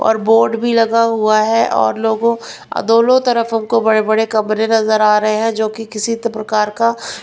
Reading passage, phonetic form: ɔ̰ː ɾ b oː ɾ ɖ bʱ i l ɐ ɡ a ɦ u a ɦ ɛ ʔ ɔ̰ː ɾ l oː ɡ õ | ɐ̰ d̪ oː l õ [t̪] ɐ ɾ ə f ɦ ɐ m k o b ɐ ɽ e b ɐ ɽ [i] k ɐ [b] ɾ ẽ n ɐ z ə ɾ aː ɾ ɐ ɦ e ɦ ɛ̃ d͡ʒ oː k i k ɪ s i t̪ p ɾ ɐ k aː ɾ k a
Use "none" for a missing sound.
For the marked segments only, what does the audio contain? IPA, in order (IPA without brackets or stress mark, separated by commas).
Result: t̪, e, m